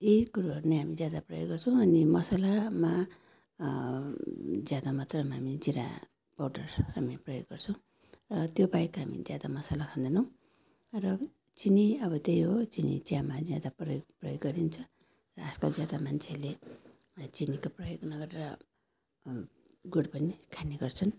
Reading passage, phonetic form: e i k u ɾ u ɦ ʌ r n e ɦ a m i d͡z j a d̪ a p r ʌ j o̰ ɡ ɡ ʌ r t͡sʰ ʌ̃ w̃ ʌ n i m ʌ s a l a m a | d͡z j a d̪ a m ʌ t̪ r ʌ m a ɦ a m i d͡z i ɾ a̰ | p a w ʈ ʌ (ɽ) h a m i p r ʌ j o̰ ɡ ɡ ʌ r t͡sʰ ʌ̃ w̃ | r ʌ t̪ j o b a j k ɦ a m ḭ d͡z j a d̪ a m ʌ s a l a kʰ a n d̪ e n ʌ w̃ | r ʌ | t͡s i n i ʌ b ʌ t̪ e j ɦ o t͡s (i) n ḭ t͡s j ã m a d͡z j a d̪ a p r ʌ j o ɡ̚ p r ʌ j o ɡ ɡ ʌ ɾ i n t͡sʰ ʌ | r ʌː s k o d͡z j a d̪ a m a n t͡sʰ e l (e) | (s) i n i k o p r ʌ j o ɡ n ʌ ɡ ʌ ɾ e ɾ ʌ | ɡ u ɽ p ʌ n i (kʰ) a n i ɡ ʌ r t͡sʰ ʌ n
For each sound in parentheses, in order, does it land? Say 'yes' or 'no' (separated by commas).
no, yes, yes, no, yes